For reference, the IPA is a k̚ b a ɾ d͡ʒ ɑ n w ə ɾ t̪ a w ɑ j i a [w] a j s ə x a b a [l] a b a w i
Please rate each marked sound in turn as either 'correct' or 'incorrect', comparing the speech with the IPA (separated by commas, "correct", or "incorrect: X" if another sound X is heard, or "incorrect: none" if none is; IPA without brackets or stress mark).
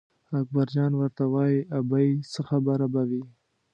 incorrect: b, incorrect: ɾ